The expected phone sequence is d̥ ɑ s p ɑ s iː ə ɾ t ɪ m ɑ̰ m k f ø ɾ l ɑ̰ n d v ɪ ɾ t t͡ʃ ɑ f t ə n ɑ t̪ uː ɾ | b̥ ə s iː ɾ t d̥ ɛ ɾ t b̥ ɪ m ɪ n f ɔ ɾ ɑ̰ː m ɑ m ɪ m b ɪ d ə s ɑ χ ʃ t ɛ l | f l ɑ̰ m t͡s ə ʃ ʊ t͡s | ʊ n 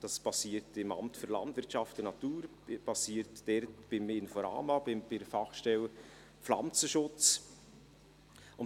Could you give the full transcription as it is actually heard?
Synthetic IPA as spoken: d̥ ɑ s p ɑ s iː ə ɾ t ɪ m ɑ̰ m t f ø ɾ l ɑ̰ n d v ɪ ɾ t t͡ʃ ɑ f t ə n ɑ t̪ uː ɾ | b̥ ɑ s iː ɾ t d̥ ɛ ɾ t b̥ ɪ m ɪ n f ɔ ɾ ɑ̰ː m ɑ b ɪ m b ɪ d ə f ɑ χ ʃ t ɛ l | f l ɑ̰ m t͡s ə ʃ ʊ t͡s | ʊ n